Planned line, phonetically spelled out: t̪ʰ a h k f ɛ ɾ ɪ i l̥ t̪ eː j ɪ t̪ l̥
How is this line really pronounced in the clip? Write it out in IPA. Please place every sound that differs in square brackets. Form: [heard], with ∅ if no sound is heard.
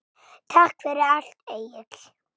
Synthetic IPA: t̪ʰ a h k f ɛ ɾ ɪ [a] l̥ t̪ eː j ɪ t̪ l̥